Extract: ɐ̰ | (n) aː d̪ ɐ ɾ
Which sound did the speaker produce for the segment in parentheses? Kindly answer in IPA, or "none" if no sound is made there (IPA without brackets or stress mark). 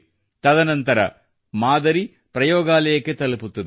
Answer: m